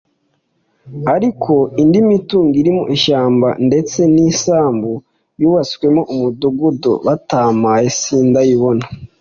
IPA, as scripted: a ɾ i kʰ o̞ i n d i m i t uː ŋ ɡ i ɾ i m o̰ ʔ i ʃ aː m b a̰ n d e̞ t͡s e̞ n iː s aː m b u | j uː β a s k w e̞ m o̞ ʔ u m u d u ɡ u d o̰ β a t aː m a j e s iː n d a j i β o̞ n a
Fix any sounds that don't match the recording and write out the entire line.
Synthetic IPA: a ɾ i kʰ o̞ i n d i m i t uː ŋ ɡ i ɾ i m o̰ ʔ i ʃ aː m b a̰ n d e̞ t͡s e̞ n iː s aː m b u | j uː β a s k w e̞ m o̞ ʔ u m u d u ɡ u d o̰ β a t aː m a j e s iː n d a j i β o̞ n a